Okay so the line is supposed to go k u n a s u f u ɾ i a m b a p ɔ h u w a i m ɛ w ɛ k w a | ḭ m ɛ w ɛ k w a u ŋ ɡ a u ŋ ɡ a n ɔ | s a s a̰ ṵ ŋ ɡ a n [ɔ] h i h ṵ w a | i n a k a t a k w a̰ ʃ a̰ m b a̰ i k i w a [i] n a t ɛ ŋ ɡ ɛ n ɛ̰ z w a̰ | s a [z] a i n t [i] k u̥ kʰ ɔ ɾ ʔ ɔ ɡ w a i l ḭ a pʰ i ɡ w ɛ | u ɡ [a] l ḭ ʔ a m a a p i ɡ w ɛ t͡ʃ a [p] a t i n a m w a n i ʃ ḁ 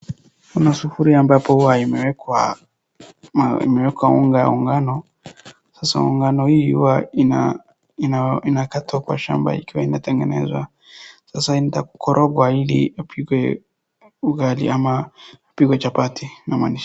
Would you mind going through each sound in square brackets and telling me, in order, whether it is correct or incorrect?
correct, correct, incorrect, incorrect, correct, correct

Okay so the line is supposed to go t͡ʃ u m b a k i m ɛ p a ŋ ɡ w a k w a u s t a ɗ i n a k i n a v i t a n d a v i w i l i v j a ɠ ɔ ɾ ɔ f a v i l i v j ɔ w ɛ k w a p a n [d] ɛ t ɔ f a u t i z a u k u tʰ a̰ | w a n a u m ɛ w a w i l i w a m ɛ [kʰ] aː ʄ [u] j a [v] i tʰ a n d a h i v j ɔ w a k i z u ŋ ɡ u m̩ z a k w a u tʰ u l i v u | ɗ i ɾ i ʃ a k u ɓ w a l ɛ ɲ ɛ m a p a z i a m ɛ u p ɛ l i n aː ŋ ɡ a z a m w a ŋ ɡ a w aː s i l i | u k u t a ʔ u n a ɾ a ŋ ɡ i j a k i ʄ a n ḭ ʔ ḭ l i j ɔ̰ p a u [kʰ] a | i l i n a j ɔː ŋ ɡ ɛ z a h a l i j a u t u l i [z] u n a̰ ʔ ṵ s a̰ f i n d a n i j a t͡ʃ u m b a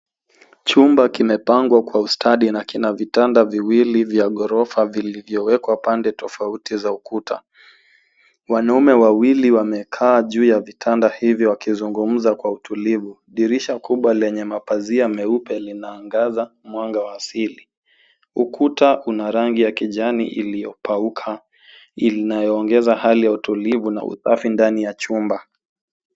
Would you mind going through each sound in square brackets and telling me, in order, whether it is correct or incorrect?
correct, correct, incorrect, correct, correct, incorrect

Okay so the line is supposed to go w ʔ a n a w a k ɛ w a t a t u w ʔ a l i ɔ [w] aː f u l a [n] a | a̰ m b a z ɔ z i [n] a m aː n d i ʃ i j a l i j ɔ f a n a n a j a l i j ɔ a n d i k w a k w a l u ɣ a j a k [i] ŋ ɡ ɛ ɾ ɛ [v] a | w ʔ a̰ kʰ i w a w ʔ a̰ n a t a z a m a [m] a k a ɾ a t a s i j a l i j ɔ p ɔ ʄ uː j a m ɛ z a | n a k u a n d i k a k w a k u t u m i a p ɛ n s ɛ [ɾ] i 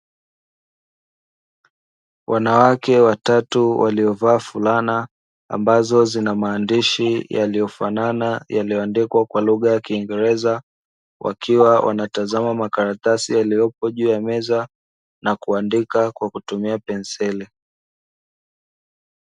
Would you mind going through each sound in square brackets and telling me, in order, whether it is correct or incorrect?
incorrect, correct, correct, incorrect, incorrect, correct, incorrect

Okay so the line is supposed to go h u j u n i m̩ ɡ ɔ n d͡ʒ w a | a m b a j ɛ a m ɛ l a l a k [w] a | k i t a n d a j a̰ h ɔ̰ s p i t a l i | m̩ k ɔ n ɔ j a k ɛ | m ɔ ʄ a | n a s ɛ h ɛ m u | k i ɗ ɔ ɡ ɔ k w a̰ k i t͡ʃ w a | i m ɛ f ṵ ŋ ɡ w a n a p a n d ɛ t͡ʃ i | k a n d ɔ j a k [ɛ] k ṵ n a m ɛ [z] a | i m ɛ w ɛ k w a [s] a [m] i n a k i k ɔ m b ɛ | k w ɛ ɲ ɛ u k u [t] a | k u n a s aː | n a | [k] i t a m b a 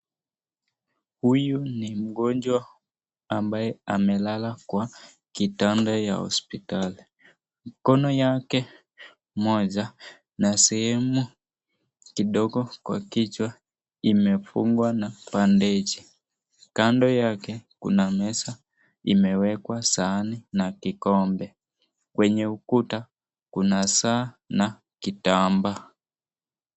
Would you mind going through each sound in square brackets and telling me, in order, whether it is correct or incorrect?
correct, correct, incorrect, correct, incorrect, correct, correct

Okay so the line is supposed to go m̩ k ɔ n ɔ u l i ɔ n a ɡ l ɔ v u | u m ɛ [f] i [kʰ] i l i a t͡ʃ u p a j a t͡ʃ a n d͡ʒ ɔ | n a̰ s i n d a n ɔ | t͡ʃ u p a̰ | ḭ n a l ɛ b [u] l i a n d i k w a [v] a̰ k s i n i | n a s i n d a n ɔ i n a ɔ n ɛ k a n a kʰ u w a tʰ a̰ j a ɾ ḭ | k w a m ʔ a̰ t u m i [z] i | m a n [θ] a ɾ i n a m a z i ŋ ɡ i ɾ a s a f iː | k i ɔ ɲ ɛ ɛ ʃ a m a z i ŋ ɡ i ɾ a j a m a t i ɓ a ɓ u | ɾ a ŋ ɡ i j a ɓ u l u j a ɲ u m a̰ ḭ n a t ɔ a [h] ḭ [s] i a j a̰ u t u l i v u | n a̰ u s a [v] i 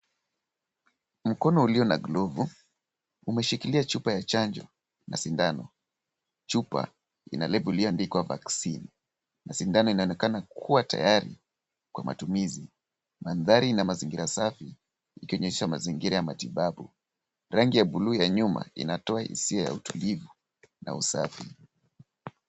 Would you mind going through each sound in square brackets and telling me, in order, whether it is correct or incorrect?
incorrect, incorrect, correct, correct, correct, incorrect, correct, correct, incorrect

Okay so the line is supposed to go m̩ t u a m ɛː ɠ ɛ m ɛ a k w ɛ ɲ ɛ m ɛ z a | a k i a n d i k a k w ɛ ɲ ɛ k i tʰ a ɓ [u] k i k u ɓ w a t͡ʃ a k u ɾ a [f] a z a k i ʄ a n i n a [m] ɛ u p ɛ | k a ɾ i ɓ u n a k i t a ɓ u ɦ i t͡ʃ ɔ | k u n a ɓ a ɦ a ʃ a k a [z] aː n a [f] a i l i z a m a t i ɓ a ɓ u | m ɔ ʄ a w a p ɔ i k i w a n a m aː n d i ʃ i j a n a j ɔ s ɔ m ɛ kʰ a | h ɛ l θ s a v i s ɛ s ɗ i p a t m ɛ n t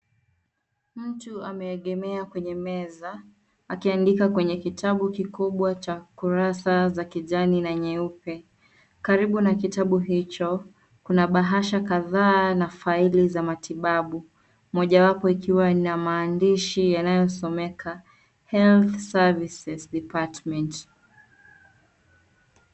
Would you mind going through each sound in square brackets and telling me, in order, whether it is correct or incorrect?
correct, incorrect, incorrect, incorrect, correct

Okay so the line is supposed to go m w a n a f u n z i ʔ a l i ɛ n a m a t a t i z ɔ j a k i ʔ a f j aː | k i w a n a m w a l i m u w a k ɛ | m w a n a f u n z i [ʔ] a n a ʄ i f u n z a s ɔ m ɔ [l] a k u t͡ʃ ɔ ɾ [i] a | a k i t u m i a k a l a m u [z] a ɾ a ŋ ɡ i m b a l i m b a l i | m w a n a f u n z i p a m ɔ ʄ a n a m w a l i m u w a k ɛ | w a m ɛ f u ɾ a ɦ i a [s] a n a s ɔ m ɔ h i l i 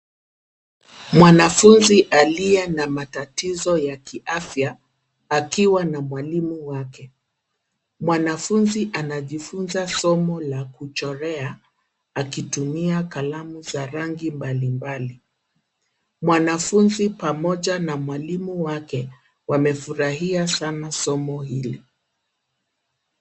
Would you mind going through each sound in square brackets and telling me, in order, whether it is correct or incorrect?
correct, correct, incorrect, correct, correct

